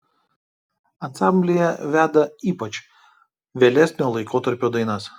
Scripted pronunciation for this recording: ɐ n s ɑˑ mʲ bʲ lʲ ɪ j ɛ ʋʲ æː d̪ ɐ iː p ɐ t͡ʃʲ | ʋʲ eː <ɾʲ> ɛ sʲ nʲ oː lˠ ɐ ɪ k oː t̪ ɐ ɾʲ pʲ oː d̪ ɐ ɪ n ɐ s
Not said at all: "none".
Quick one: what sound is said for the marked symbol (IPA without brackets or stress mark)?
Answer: lʲ